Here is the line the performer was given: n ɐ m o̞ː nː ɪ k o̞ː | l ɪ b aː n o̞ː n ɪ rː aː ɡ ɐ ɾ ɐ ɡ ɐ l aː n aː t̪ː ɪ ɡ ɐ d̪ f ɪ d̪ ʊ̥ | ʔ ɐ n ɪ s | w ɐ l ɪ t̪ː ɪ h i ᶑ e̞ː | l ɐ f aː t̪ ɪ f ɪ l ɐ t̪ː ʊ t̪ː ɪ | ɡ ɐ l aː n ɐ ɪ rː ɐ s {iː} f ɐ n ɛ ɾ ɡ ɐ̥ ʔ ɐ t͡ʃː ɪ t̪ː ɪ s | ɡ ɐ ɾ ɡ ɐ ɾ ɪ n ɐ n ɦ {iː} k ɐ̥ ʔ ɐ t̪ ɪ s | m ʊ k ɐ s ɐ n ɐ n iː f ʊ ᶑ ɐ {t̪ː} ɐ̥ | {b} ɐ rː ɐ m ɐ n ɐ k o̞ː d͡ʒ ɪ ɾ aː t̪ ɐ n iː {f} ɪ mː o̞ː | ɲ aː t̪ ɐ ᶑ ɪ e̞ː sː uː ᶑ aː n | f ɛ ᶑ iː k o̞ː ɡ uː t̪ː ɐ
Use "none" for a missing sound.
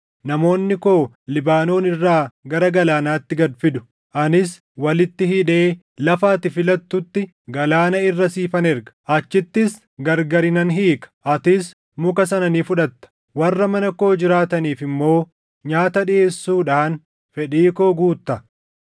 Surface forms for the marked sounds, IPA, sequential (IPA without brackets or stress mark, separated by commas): iː, iː, t̪ː, w, f